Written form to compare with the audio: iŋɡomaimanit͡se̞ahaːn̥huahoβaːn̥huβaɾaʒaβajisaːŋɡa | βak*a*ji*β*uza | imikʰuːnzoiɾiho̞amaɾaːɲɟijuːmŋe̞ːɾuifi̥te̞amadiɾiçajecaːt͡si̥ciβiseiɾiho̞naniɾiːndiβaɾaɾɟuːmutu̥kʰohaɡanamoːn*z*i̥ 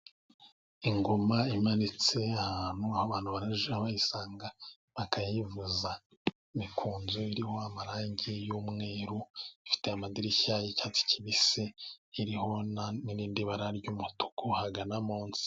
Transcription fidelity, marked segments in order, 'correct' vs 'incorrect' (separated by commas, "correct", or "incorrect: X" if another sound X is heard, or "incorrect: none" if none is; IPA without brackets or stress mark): correct, incorrect: v, incorrect: s